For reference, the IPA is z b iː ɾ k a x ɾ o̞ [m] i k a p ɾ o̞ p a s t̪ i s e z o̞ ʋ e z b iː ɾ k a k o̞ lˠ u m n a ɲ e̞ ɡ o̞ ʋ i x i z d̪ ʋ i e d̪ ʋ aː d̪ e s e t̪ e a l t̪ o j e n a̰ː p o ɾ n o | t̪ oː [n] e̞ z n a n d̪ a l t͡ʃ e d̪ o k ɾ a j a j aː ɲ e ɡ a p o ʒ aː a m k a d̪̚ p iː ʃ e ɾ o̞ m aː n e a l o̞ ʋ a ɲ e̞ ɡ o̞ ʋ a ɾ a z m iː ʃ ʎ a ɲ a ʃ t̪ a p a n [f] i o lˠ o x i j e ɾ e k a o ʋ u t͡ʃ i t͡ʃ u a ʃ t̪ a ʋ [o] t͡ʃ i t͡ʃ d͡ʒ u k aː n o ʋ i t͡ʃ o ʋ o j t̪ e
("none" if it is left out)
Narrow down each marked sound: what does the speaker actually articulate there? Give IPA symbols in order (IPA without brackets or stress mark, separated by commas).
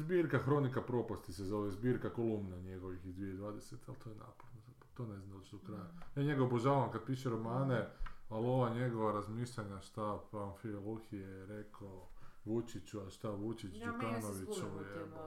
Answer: n, n, f, u